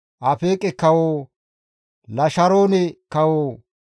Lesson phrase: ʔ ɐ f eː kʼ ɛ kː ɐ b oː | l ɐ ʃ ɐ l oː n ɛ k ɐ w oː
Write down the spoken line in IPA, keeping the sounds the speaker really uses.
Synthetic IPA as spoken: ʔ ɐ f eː kʼ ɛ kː ɐ w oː | l ɐ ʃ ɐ ɾ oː n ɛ k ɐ w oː